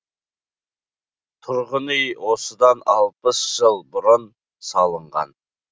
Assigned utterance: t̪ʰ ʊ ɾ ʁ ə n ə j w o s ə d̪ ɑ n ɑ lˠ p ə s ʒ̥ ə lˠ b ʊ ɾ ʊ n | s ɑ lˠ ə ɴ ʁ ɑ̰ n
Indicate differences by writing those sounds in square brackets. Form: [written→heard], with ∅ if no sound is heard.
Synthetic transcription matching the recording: t̪ʰ ʊ ɾ ʁ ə n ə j w o s ə d̪ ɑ n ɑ lˠ p ə s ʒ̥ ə lˠ b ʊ ɾ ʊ n | s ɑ lˠ ə ɴ ʁ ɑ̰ n